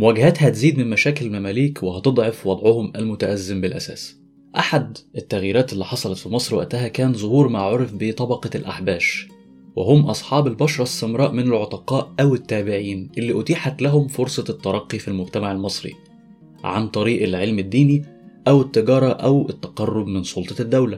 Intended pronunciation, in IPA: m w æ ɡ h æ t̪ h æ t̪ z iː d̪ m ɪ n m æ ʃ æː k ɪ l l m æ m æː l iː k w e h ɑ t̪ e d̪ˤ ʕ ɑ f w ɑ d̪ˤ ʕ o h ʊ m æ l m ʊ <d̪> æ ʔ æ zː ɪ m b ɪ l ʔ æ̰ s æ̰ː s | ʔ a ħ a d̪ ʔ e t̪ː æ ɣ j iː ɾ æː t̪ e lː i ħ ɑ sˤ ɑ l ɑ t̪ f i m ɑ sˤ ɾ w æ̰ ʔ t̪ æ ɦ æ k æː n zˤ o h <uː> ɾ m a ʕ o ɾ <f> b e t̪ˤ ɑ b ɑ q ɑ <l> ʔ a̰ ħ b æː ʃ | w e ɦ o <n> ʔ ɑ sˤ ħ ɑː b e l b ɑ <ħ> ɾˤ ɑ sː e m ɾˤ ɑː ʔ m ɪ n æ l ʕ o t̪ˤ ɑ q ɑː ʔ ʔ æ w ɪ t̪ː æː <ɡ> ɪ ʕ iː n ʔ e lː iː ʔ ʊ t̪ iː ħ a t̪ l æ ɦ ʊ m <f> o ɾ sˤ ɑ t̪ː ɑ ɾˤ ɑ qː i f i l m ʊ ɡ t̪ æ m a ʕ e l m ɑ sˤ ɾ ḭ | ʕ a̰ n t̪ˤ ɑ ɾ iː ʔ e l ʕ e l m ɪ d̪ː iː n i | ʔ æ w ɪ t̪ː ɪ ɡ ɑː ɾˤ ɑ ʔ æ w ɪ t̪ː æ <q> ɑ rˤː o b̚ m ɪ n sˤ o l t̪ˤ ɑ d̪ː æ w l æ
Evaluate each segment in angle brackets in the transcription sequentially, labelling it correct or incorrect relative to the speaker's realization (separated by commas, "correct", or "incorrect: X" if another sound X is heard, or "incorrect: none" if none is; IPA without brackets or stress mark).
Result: incorrect: t̪, correct, correct, correct, incorrect: m, incorrect: ʃ, incorrect: b, correct, correct